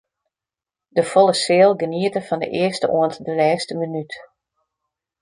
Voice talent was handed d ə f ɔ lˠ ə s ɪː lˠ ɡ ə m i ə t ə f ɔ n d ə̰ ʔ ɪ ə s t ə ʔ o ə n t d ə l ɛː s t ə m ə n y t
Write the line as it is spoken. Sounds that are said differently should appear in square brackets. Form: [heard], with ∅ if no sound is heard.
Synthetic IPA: d ə f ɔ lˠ ə s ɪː lˠ ɡ ə [n] i ə t ə f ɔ n d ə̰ ʔ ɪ ə s t ə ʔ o ə n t d ə l ɛː s t ə m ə n y t